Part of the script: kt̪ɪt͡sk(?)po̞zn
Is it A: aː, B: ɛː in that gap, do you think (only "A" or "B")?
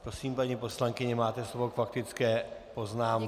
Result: B